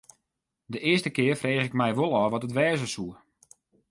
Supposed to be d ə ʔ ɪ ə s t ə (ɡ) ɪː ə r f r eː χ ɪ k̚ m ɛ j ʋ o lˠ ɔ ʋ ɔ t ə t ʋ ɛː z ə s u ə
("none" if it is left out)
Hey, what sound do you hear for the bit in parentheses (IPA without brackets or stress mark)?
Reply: k